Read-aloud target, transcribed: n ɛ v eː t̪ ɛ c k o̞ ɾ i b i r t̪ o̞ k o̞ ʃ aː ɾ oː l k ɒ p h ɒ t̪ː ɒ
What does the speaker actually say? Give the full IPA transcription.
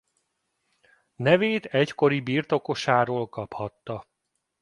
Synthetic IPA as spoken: n ɛ v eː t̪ ɛ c k o̞ ɾ i b i r t̪ o̞ k o̞ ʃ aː ɾ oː l k ɒ p h ɒ t̪ː ɒ